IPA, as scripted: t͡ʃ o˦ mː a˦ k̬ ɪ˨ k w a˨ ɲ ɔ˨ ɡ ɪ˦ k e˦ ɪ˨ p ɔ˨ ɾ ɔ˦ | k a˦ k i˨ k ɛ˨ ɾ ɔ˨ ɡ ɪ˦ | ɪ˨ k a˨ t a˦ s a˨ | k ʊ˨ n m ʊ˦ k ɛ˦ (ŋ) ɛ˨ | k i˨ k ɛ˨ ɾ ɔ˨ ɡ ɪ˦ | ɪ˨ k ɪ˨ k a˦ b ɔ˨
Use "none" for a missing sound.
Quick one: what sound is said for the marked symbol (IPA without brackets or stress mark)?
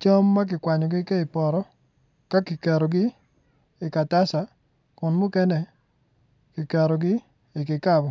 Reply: n